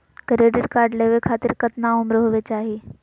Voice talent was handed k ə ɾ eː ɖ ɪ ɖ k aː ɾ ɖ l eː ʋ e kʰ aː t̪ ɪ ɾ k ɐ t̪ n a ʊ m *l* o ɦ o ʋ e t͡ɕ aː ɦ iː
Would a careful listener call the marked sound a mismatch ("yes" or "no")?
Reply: yes